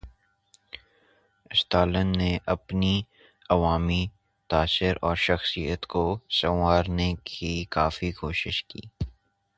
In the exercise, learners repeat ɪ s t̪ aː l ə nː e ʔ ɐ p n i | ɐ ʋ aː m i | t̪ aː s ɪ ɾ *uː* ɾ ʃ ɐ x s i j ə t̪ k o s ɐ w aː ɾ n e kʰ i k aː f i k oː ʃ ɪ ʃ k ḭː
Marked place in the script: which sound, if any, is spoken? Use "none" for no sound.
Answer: ɔː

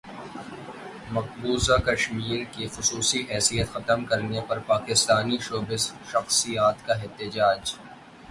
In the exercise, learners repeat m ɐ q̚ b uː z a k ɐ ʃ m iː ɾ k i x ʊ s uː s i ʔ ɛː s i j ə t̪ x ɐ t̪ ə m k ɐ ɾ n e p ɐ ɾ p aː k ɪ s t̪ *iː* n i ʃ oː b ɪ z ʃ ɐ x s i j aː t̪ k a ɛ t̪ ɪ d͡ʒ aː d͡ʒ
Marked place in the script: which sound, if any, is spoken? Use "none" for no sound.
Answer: aː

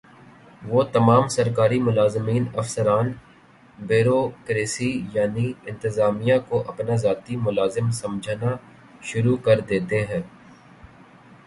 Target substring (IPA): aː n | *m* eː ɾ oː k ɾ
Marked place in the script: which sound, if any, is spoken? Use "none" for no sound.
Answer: b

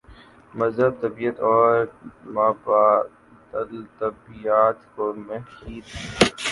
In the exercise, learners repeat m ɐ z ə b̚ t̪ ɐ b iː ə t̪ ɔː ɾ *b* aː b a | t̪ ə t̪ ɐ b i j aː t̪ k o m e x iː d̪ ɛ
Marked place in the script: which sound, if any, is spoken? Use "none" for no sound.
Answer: m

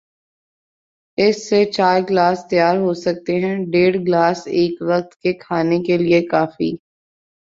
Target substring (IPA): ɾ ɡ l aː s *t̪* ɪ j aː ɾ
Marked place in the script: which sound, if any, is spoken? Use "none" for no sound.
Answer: t̪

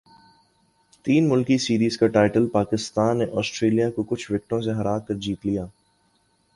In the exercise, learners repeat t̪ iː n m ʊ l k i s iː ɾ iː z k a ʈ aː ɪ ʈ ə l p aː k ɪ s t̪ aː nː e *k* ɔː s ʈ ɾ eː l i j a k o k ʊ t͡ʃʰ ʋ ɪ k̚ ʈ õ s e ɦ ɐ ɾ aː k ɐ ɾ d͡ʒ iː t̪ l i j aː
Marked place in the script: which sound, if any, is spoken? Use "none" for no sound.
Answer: ʔ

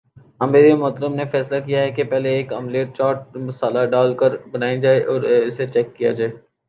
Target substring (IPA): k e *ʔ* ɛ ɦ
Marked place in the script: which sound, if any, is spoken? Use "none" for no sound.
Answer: p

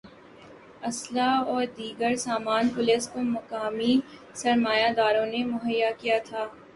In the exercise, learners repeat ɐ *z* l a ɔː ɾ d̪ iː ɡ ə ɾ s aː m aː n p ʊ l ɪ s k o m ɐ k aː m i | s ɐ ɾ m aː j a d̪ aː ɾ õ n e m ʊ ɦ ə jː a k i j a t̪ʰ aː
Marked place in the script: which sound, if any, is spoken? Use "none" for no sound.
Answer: s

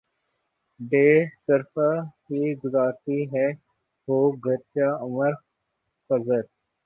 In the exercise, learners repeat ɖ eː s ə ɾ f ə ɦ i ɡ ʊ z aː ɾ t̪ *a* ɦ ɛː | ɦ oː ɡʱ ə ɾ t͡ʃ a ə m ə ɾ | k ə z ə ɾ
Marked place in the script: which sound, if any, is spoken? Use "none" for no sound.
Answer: i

